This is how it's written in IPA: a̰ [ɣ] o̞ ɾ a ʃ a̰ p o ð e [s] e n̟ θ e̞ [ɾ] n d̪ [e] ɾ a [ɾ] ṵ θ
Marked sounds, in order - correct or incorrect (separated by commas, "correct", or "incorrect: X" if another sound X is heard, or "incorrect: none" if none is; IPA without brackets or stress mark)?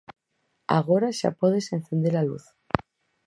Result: correct, correct, incorrect: none, correct, incorrect: l